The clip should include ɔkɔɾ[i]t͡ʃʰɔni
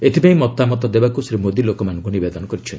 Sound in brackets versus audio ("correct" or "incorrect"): correct